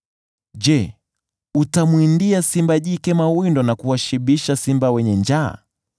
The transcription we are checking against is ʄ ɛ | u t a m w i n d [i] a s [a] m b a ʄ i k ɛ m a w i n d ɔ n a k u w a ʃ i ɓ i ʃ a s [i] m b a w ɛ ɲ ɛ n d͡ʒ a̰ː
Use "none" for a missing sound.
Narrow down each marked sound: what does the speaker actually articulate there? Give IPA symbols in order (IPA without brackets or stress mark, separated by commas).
i, i, i